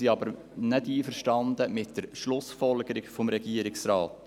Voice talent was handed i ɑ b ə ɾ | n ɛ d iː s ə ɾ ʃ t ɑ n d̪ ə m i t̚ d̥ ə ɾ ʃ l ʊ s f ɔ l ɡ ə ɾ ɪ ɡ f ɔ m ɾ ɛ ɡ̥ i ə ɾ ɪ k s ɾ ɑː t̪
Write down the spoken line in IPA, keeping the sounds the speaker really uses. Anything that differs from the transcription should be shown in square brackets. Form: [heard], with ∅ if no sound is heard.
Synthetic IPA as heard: i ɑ b ə ɾ | n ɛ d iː [f] ə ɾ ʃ t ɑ n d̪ ə m [ɪ] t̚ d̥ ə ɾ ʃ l ʊ s f ɔ l ɡ ə ɾ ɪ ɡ f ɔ m ɾ ɛ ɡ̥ i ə ɾ ɪ k s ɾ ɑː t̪